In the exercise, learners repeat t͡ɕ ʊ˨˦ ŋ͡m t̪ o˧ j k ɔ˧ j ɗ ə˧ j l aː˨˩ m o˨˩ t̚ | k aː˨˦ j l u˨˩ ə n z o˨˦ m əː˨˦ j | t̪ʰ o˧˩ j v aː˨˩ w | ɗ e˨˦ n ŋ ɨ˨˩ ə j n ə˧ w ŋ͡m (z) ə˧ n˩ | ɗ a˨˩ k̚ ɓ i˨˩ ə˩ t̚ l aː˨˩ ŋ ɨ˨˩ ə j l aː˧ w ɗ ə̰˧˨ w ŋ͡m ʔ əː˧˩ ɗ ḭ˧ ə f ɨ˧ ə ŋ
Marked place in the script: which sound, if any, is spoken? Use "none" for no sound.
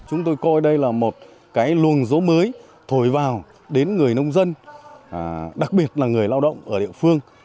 z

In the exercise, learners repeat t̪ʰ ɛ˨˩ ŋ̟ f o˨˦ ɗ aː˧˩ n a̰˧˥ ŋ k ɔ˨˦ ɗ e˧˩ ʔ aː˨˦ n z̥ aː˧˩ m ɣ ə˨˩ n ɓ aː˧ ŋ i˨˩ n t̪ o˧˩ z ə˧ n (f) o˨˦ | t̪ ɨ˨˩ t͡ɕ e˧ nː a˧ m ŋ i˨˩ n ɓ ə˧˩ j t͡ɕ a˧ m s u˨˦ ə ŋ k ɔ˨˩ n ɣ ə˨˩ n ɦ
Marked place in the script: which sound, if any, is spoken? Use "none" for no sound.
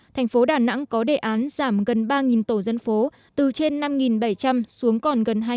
f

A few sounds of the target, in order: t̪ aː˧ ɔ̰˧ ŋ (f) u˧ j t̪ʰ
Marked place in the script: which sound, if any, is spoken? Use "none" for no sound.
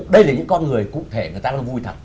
v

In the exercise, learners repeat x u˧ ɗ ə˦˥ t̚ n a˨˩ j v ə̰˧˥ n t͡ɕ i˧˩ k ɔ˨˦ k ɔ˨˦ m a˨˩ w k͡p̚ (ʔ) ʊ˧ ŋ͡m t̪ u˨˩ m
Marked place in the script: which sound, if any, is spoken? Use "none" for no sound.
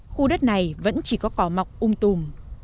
ʔ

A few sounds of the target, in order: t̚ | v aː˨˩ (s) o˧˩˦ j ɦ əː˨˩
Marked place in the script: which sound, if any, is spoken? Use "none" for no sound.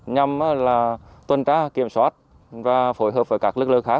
f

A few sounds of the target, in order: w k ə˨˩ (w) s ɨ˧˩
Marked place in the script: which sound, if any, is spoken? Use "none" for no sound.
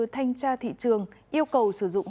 w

